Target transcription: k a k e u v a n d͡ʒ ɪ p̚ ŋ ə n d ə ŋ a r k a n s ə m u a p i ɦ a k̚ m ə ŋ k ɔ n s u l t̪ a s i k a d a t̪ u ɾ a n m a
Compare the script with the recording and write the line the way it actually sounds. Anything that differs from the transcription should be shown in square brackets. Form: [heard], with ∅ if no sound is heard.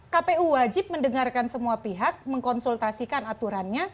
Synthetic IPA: k a [p] e u [w] a [∅] d͡ʒ ɪ p̚ [m] ə n d ə ŋ a r k a n s ə m u a p i ɦ a k̚ m ə ŋ k ɔ n s u l t̪ a s i k a [n] a t̪ u ɾ a n [ɲ] a

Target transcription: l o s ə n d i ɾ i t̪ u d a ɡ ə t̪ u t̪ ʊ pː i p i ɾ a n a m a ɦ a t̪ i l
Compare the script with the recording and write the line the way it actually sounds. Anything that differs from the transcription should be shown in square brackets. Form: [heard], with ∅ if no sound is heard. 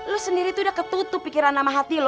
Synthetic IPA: l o s ə n d i ɾ i t̪ u d a [k] ə t̪ u t̪ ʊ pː i [k] i ɾ a n a m a ɦ a t̪ i l

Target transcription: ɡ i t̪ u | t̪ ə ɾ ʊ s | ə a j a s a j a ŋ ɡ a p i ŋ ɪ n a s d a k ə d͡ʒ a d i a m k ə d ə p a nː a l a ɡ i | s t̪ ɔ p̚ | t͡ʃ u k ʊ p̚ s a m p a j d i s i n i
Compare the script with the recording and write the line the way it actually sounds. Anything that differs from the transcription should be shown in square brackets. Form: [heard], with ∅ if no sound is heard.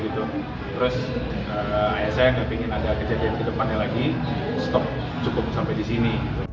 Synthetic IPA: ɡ i t̪ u | t̪ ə ɾ ʊ s | ə a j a s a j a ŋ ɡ a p i ŋ ɪ n a [∅] d a k ə d͡ʒ a d i a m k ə d ə p a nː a l a ɡ i | s t̪ ɔ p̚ | t͡ʃ u k ʊ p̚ s a m p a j d i s i n i

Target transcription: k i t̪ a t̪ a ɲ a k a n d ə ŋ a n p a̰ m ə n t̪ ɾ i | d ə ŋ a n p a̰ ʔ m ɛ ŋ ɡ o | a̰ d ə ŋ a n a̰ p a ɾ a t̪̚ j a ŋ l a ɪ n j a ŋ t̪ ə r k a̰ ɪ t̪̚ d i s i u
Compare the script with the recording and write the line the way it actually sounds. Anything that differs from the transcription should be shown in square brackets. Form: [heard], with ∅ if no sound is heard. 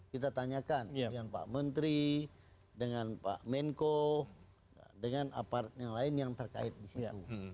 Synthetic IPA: k i t̪ a t̪ a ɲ a k a n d ə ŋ a n p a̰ m ə n t̪ ɾ i | d ə ŋ a n p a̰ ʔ m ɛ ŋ [k] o | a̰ d ə ŋ a n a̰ p a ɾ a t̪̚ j a ŋ l a ɪ n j a ŋ t̪ ə r k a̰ ɪ t̪̚ d i s i u

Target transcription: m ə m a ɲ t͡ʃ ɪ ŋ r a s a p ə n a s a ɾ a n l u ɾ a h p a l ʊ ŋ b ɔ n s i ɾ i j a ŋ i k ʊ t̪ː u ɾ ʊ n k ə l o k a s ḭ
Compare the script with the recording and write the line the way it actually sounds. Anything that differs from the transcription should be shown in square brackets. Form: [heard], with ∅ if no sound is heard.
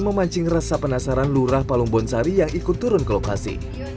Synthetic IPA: m ə m a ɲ t͡ʃ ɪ ŋ r a s a p ə n a s a ɾ a n l u ɾ a h p a l [u] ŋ b ɔ n s [a] ɾ i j a ŋ i k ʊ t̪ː u ɾ ʊ n k ə l o k a s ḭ

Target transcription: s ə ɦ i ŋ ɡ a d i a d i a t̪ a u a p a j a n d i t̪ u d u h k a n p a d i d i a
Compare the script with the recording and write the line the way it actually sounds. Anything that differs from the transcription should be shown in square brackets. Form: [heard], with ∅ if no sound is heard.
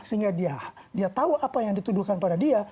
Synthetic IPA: s ə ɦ i ŋ ɡ a d i a d i a t̪ a u a p a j a [ŋ] d i t̪ u d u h k a n p a d [a] d i a

